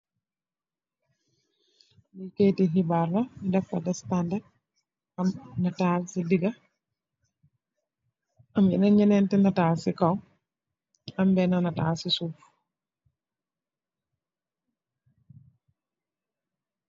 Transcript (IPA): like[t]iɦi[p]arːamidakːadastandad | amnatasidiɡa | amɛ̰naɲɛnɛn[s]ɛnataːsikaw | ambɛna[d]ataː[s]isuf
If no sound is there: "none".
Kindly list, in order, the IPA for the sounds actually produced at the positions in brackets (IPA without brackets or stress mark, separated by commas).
t, b, t, n, s